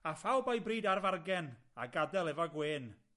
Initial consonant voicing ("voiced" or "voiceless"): voiceless